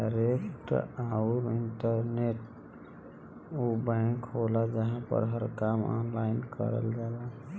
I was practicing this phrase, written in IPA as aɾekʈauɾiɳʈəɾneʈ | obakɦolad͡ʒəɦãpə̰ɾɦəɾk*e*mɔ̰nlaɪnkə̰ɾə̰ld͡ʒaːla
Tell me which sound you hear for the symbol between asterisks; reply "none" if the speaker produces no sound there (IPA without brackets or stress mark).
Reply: a